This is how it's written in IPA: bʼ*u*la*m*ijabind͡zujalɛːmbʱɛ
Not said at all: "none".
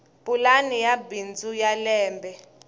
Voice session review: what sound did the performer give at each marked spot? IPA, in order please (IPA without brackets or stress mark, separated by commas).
u, n